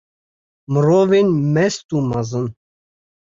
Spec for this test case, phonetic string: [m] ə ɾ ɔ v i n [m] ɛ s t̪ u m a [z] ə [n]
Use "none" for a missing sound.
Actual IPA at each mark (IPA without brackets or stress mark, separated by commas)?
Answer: m, m, z, n